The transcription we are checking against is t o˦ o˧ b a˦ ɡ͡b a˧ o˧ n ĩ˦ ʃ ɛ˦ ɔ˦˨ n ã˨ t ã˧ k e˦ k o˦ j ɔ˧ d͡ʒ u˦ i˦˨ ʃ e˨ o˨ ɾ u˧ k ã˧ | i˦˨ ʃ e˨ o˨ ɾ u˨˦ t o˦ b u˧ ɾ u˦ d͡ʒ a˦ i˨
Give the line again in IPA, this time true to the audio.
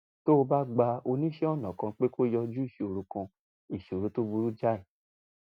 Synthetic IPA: t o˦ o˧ b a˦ ɡ͡b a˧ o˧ n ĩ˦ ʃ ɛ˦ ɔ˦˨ n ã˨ k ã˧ k͡p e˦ k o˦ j ɔ˧ d͡ʒ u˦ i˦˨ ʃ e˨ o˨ ɾ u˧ k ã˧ | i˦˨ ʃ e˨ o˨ ɾ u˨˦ t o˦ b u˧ ɾ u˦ d͡ʒ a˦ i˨